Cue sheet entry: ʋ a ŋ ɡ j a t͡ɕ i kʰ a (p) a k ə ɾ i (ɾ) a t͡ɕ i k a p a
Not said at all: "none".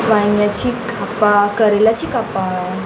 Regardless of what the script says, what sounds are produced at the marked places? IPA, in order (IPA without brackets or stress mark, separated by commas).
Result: p, l